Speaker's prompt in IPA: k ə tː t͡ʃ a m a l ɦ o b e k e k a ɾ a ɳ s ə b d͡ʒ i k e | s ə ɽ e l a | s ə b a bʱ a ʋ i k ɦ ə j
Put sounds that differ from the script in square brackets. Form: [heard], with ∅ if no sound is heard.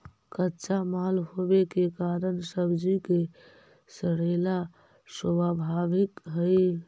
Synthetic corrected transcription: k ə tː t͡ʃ a m a l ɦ o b e k e k a ɾ [ə] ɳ s ə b d͡ʒ i k e | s ə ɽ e l a | s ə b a bʱ a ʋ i k ɦ ə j